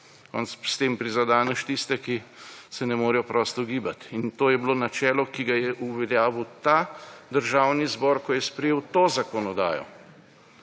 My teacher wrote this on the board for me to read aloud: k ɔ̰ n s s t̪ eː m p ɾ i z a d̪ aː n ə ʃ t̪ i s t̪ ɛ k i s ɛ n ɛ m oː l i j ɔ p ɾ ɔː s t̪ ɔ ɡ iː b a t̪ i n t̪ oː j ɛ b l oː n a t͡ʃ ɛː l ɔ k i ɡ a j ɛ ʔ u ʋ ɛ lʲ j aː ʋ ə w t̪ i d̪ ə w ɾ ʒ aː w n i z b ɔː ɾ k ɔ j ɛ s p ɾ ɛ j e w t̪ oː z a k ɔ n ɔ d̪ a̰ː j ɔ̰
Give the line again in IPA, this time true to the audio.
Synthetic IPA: k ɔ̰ n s s t̪ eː m p ɾ i z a d̪ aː n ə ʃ t̪ i s t̪ ɛ k i s ɛ n ɛ m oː ɾ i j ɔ p ɾ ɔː s t̪ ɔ ɡ iː b a t̪ i n t̪ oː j ɛ b l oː n a t͡ʃ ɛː l ɔ k i ɡ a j ɛ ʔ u ʋ ɛ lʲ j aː ʋ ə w t̪ a d̪ ə ɾ ʒ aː w n i z b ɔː ɾ k ɔ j ɛ s p ɾ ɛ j e w t̪ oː z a k ɔ n ɔ d̪ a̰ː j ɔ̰